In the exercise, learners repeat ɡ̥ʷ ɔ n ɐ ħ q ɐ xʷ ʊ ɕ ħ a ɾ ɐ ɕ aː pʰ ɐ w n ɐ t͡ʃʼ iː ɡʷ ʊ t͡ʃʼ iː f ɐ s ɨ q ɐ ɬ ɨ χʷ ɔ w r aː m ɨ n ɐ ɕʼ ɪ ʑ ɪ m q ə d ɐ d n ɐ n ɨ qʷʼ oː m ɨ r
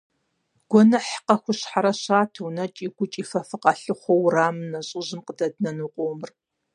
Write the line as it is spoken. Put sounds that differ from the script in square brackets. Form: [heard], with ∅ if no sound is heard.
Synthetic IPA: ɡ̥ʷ ɔ n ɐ ħ q ɐ xʷ ʊ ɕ ħ a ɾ ɐ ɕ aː [tʰ] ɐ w n ɐ t͡ʃʼ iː ɡʷ ʊ t͡ʃʼ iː f ɐ [f] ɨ q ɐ ɬ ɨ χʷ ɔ w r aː m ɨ n ɐ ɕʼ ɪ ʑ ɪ m q ə d ɐ d n ɐ n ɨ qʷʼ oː m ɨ r